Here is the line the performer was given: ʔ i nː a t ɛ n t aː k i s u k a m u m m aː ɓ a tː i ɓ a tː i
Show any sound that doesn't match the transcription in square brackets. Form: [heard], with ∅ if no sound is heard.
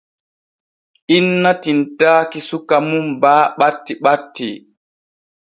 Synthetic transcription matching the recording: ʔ i nː a t [i] n t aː k i s u k a m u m [b] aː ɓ a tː i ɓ a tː i